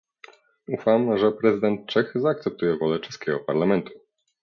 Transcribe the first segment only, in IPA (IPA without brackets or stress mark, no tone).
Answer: u